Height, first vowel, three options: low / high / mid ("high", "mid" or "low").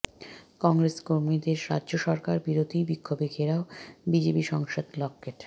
mid